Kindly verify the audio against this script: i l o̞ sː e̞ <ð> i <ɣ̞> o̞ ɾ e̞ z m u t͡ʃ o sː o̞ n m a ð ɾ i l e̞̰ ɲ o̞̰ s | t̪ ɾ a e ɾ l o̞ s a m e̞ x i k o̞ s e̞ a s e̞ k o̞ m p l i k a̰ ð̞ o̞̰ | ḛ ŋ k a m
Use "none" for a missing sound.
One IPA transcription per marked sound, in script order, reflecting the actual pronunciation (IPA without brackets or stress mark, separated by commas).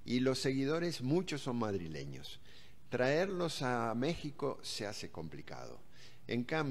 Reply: ɣ, ð̞